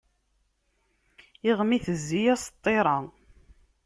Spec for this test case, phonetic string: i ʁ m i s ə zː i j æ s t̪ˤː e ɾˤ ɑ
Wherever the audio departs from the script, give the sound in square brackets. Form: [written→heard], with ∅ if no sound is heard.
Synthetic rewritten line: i ʁ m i [s→θ] ə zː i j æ s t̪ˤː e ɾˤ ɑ